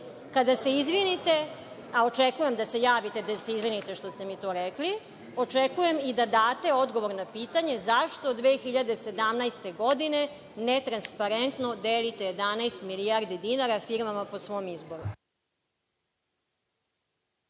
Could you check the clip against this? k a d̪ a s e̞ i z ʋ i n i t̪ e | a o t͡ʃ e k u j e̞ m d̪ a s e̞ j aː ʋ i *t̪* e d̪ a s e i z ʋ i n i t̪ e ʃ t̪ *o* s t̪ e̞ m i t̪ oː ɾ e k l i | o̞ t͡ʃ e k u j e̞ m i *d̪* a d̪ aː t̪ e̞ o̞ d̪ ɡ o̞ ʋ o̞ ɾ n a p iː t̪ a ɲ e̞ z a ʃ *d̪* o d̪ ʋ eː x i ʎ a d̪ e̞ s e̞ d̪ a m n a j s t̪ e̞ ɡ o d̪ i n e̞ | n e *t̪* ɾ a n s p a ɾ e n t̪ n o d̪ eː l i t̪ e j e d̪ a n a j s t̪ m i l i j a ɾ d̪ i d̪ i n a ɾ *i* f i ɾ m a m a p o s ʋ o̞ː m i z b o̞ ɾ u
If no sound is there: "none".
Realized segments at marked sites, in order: t̪, o, d̪, t̪, t̪, a

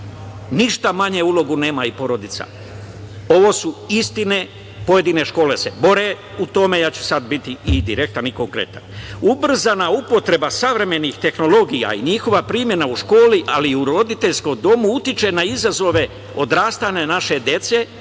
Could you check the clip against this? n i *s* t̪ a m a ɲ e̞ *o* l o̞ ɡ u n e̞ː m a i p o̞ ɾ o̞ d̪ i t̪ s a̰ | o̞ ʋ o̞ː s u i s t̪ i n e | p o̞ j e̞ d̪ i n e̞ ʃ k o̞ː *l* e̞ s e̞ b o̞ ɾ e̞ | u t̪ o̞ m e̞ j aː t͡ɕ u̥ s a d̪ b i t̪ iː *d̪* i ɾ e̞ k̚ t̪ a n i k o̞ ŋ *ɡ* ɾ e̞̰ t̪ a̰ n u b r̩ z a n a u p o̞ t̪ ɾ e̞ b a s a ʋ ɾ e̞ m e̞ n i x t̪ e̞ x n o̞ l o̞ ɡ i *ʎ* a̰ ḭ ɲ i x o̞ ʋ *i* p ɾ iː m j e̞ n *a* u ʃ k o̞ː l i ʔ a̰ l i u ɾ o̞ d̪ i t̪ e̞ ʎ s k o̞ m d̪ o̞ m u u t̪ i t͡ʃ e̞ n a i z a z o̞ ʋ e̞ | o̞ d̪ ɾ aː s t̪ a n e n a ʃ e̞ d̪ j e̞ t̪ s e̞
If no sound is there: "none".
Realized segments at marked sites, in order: ʃ, u, l, d̪, k, j, a, a

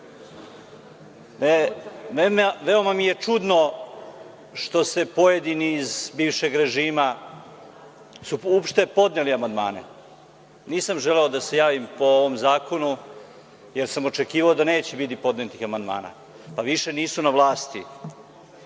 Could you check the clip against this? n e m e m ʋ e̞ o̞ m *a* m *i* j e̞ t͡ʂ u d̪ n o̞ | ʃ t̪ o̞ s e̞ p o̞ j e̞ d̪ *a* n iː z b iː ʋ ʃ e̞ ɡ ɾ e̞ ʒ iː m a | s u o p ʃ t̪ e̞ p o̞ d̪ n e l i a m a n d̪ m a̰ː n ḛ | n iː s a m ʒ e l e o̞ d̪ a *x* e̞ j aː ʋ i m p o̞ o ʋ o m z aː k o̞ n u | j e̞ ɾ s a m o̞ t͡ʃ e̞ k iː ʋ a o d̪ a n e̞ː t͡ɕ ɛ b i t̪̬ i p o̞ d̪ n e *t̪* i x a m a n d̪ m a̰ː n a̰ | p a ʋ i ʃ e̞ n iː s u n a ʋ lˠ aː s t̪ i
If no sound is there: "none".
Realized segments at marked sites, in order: a, i, i, s, t̪

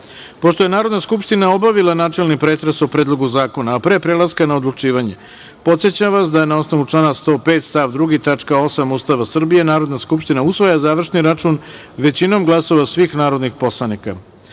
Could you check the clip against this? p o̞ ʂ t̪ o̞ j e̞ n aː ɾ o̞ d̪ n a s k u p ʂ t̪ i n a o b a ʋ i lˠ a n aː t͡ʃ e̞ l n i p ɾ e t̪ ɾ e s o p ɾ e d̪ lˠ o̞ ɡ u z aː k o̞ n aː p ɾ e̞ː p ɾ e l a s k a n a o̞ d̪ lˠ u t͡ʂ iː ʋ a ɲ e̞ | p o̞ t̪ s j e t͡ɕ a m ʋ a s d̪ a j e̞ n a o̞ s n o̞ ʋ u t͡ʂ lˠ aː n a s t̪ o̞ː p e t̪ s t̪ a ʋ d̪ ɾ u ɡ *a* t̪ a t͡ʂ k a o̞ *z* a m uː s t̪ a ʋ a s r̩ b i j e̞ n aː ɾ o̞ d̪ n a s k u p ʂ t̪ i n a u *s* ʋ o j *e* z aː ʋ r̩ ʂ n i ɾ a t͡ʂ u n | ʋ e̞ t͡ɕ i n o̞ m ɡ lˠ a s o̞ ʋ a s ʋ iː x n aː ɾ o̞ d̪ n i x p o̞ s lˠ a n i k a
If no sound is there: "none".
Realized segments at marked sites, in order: i, s, s, a

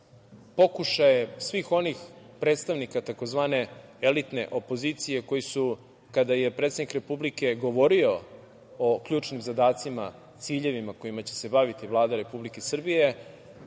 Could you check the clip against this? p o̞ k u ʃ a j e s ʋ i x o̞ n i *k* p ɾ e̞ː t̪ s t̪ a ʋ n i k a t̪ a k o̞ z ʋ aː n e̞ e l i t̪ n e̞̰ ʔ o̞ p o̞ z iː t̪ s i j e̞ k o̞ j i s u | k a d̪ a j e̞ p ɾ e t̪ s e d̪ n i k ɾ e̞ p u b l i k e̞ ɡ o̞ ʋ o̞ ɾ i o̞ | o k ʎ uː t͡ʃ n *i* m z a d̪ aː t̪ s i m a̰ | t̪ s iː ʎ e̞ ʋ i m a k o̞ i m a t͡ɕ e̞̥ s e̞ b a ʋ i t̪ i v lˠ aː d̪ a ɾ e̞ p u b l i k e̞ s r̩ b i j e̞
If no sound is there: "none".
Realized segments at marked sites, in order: x, i

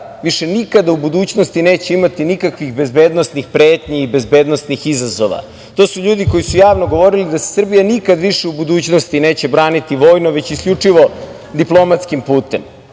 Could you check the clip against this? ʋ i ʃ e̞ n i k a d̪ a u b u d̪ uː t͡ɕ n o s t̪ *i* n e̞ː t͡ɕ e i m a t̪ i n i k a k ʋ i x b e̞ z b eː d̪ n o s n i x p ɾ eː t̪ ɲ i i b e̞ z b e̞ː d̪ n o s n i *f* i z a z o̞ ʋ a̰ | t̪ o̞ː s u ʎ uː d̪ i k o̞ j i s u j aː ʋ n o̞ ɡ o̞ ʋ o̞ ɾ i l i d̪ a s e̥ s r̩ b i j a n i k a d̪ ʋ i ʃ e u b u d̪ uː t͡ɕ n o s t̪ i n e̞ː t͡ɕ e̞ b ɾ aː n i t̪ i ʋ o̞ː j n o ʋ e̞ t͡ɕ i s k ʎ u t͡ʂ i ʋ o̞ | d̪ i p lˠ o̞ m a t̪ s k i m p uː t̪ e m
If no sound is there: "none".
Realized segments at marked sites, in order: i, x

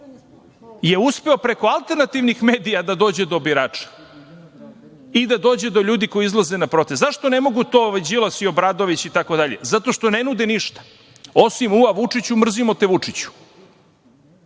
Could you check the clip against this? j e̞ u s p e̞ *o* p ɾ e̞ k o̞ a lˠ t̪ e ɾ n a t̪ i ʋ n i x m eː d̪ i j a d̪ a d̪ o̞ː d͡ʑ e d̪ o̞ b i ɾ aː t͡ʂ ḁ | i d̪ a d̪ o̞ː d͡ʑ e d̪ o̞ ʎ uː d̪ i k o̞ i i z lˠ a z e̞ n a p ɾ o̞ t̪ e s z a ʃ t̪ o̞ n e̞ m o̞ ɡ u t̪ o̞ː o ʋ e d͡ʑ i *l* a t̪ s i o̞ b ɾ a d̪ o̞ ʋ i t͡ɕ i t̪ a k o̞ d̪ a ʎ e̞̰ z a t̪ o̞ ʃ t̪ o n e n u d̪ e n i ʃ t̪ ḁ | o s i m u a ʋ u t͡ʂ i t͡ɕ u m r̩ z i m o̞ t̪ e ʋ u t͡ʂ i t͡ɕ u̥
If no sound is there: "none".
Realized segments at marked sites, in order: o, l

